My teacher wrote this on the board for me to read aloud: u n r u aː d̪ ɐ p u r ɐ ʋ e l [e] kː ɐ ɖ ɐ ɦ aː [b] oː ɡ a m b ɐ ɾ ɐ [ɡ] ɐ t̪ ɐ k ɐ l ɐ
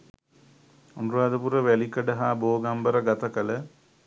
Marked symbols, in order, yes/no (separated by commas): no, yes, yes